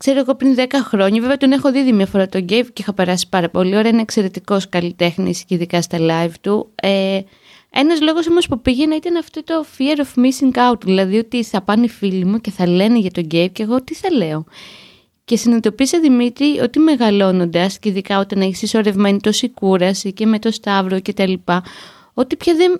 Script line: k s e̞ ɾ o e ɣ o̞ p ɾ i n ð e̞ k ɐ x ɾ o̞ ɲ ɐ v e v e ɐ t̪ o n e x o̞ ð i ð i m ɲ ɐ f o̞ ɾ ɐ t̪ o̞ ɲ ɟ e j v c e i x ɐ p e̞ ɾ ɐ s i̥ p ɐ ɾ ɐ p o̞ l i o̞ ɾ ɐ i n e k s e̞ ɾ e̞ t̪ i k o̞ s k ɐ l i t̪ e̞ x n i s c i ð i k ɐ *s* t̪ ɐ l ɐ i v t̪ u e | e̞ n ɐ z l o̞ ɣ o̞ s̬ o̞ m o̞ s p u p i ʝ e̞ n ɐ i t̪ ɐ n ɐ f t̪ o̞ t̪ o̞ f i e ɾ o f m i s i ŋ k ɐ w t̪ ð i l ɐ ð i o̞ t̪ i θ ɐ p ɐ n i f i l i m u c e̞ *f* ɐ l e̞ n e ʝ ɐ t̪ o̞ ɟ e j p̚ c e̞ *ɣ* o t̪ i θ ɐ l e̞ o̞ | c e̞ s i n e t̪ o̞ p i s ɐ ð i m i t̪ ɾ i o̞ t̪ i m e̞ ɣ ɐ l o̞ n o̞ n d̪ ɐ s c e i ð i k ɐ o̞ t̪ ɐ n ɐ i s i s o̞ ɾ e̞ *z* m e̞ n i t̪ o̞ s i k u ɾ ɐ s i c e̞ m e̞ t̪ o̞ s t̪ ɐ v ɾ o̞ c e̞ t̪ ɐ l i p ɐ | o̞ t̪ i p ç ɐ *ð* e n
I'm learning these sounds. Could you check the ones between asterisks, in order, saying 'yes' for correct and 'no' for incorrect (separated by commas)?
yes, no, yes, no, yes